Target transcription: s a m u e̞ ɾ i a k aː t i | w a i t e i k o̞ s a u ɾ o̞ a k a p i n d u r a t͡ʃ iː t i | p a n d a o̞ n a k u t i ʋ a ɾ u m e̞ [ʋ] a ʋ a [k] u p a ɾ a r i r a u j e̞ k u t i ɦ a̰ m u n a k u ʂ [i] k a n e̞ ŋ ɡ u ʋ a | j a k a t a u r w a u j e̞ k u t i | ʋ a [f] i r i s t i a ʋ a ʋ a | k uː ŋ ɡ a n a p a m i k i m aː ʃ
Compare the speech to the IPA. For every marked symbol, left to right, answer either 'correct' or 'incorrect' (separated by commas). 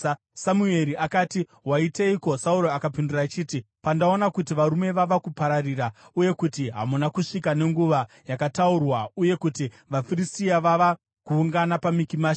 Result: correct, correct, correct, correct